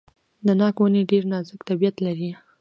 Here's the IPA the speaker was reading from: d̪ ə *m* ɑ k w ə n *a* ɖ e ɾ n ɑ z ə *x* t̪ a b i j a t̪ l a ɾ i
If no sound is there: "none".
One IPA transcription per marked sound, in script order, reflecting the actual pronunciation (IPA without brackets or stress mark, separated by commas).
n, e, k